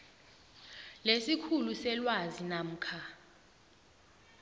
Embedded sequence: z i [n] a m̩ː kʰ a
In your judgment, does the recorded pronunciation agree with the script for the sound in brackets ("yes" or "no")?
yes